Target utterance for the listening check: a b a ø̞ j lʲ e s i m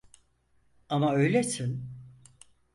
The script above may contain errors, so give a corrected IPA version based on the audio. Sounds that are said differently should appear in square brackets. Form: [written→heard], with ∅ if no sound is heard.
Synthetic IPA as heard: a [b→m] a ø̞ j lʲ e s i [m→n]